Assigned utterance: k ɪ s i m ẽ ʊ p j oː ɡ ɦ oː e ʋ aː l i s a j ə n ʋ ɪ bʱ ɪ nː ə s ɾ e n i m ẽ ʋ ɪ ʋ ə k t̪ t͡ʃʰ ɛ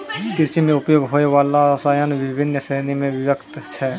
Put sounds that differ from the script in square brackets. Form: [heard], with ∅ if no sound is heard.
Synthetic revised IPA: k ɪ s i m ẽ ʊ p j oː ɡ ɦ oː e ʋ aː l [a] s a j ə n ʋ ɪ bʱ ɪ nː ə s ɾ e n i m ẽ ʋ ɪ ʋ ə k t̪ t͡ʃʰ ɛ